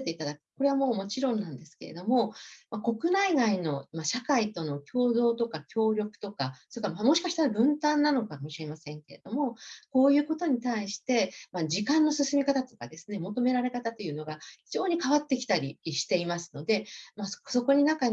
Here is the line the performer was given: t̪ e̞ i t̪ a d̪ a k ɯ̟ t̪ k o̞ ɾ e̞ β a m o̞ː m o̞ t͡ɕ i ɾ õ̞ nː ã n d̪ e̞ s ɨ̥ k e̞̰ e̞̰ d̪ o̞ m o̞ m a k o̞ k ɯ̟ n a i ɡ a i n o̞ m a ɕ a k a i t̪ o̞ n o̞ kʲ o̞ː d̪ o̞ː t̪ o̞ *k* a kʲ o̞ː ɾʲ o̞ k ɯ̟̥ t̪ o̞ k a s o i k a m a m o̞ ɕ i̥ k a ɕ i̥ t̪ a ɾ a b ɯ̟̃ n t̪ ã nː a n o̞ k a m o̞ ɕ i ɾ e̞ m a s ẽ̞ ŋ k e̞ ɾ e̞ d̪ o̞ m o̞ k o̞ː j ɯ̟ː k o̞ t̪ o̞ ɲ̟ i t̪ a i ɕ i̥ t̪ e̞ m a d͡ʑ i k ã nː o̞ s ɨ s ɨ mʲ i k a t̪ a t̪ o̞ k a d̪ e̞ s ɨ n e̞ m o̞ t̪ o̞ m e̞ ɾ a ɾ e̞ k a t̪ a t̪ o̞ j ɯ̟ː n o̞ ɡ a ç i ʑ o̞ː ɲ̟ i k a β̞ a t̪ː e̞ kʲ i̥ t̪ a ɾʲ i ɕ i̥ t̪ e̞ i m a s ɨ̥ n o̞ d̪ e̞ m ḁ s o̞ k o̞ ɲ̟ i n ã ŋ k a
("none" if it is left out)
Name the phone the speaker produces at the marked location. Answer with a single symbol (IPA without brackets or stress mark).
k